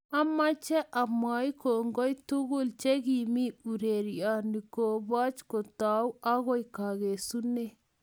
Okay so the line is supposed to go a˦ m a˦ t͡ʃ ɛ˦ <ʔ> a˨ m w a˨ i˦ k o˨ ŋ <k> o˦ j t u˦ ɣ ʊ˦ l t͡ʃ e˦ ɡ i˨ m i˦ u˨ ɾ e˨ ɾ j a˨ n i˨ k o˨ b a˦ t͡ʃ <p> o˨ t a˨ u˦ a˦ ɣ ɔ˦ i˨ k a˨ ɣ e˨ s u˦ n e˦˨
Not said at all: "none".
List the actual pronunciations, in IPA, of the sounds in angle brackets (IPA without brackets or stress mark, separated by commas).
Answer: ʔ, ɡ, k